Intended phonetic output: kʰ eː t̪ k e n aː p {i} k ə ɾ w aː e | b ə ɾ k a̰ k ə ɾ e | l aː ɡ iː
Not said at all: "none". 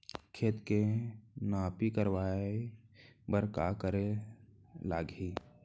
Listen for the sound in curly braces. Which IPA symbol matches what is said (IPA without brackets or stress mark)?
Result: i